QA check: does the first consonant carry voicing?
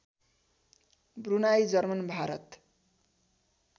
yes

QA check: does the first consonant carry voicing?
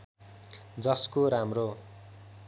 yes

